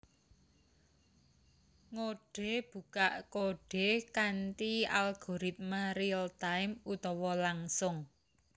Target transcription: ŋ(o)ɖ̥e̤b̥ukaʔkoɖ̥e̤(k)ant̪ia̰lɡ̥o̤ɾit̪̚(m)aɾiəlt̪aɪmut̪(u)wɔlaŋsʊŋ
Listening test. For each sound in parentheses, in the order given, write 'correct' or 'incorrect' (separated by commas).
correct, correct, correct, incorrect